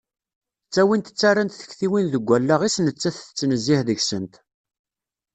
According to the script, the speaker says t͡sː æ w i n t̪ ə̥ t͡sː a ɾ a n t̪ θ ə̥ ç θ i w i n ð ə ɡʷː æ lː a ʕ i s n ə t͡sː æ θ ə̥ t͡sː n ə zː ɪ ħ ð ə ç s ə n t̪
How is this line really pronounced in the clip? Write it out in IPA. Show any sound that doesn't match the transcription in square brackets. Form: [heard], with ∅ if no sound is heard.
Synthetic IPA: t͡sː æ w i n t̪ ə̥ t͡sː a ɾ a n t̪ θ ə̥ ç θ i w i n ð ə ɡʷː æ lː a [ʁ] i s n ə t͡sː æ θ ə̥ t͡sː n ə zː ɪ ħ ð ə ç s ə n t̪